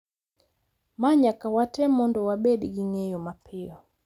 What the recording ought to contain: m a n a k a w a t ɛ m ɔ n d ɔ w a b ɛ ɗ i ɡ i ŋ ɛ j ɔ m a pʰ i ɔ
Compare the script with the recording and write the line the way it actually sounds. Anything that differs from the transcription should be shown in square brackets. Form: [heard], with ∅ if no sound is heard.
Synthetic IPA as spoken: m a [ɲ] a k a w a t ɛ m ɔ n d ɔ w a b ɛ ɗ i ɡ i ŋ ɛ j ɔ m a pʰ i ɔ